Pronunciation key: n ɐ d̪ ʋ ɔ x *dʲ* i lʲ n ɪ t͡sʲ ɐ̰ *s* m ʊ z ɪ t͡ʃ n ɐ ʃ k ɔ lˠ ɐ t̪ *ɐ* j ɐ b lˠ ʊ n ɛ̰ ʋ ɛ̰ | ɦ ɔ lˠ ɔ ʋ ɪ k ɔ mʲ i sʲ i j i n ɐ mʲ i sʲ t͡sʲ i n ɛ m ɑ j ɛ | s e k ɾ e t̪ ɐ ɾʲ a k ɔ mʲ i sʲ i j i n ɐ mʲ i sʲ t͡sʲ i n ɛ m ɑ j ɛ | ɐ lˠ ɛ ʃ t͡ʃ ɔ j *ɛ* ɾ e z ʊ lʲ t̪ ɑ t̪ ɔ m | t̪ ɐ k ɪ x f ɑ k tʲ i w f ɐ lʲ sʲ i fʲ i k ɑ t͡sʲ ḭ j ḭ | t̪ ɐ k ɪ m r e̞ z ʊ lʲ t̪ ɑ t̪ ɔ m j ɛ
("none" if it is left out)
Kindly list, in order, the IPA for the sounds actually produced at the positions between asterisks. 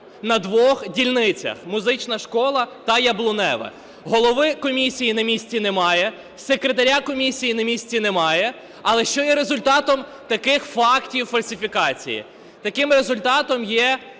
dʲ, x, ɐ, ɛ

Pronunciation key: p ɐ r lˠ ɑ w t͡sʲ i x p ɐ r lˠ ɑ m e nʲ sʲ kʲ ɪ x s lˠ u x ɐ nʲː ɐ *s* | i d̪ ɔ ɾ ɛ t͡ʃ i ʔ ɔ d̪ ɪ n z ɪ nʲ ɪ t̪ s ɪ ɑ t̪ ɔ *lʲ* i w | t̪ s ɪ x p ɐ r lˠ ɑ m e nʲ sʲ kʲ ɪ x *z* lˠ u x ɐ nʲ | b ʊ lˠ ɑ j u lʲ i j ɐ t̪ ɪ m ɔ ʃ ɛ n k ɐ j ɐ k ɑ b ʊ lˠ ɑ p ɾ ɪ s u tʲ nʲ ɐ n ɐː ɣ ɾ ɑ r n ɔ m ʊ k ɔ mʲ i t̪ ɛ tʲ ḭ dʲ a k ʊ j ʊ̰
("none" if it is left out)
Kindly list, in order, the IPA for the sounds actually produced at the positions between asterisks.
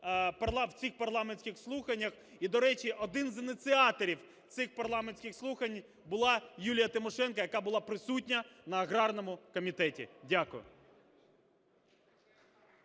x, ɾʲ, s

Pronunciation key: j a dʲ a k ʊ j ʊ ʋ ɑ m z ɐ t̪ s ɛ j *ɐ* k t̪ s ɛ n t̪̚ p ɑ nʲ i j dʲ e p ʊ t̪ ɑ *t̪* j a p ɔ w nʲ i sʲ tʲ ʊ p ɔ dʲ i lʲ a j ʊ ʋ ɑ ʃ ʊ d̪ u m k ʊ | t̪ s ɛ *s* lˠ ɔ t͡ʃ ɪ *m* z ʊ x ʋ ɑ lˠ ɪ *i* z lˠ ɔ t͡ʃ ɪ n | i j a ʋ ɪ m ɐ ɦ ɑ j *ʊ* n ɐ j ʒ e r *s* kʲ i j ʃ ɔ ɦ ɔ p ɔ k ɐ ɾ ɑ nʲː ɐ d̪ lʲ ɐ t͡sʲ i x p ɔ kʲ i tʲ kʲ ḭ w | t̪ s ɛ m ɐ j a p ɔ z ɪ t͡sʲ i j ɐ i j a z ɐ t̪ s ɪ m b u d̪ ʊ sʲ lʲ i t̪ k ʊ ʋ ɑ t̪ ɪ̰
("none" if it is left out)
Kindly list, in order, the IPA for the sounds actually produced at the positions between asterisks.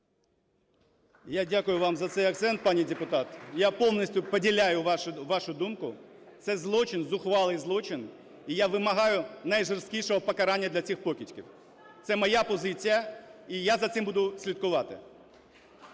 ɐ, t̪, z, n, j, ʊ, s

